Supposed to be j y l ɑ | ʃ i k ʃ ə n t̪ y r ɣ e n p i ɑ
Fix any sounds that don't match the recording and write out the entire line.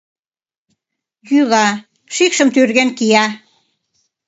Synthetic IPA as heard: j y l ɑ | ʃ i k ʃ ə m t̪ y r ɣ e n k i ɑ